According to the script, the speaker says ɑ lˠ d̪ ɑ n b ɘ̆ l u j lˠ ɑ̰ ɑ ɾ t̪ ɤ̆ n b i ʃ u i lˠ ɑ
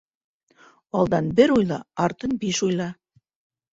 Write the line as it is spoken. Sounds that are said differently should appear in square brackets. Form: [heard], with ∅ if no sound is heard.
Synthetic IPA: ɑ lˠ d̪ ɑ n b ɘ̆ [ɾ] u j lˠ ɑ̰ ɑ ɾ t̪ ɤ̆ n b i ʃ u [j] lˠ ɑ